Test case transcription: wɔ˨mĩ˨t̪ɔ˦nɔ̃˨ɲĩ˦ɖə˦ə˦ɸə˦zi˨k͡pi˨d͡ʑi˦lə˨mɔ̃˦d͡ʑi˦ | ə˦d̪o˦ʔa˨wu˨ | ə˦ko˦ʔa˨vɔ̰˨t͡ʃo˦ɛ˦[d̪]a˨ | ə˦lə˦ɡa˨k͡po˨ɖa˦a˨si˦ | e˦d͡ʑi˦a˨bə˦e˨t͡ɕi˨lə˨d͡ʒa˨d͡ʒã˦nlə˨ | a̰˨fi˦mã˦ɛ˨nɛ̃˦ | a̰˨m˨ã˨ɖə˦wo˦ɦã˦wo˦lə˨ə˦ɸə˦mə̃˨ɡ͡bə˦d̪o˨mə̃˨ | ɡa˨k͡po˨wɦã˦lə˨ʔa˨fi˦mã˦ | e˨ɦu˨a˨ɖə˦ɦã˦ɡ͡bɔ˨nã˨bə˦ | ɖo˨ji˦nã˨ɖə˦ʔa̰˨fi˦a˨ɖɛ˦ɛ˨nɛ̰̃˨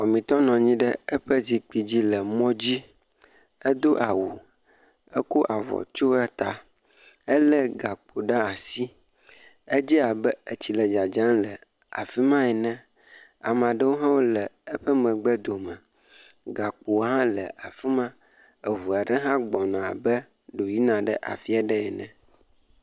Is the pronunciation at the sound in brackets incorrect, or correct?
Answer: incorrect: t̪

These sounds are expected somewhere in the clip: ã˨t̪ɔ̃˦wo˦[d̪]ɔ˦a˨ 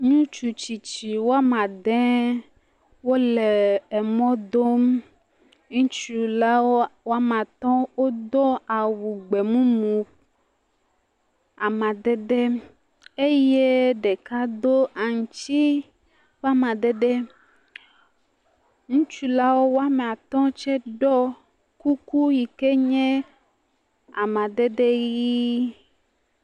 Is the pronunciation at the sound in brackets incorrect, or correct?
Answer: correct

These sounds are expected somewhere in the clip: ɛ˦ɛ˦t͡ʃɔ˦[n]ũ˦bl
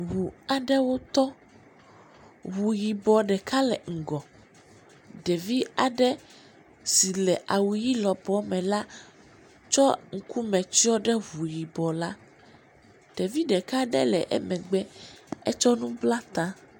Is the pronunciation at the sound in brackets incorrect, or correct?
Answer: correct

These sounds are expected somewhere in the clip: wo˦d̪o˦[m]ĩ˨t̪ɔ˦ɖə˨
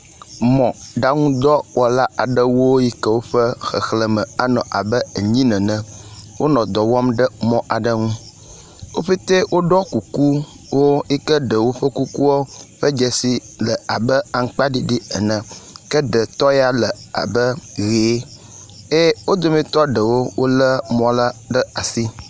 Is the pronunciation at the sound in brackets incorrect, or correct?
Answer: correct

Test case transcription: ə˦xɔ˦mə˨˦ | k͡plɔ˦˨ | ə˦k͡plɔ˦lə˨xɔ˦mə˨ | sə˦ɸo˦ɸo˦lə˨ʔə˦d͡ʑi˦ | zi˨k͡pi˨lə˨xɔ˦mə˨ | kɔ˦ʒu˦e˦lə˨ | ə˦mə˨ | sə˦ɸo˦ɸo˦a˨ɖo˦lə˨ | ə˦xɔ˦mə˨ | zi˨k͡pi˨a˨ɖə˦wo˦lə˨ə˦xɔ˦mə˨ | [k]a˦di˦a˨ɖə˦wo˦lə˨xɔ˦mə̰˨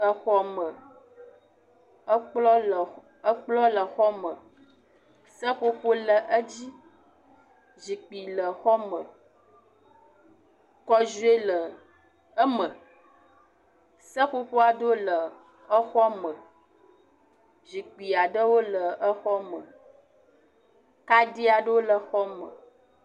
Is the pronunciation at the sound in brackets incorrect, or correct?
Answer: correct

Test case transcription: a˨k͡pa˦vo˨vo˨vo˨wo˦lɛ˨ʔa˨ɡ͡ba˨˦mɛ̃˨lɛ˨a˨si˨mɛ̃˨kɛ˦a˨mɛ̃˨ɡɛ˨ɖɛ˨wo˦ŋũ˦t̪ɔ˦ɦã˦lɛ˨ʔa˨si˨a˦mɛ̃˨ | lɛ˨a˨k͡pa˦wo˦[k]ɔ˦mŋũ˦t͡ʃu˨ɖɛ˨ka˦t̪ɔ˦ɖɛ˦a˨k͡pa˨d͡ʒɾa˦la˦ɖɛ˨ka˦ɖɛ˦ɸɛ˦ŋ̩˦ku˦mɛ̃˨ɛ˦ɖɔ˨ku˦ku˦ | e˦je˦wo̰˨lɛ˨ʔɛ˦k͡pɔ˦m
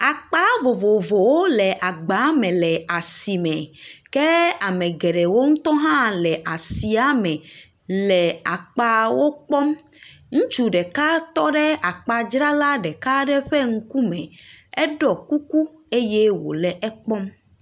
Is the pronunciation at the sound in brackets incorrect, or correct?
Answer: incorrect: k͡p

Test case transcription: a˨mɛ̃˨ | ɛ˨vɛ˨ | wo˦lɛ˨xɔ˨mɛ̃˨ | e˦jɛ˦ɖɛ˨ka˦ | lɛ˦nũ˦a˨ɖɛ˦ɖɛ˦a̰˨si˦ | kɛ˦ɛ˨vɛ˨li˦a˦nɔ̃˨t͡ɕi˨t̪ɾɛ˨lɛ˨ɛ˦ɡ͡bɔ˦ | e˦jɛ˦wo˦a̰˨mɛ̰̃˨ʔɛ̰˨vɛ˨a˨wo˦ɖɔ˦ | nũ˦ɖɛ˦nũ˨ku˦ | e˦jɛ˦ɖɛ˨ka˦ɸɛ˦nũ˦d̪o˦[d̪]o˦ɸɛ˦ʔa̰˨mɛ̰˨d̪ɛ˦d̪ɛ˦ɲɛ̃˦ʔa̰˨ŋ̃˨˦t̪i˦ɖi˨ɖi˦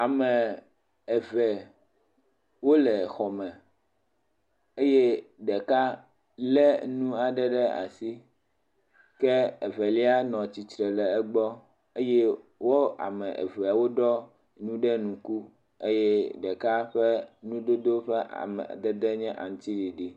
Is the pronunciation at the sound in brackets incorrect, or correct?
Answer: correct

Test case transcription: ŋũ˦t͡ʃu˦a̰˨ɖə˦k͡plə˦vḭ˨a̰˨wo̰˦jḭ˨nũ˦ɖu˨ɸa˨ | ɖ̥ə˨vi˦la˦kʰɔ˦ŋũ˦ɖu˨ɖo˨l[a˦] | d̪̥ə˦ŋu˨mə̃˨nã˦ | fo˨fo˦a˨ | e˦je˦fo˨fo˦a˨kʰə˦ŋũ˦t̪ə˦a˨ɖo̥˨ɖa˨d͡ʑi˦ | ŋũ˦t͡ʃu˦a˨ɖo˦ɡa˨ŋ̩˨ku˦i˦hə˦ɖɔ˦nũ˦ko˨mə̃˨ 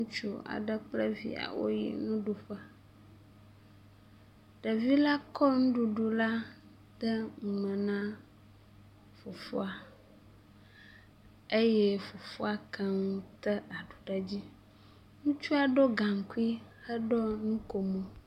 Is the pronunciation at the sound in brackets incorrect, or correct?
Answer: correct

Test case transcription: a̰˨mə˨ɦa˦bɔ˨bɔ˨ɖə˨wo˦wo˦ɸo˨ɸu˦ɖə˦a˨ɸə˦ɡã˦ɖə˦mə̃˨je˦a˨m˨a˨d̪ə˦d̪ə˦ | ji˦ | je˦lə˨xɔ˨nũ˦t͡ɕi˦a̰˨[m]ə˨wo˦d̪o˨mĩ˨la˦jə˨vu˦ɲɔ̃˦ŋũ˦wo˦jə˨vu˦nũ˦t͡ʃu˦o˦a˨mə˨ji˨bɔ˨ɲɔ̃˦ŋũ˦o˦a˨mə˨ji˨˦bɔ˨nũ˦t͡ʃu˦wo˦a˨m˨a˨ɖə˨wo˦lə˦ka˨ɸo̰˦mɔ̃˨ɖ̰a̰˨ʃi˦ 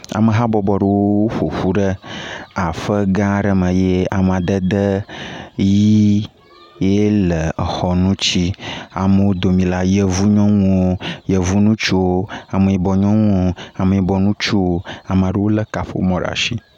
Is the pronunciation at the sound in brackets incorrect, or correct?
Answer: correct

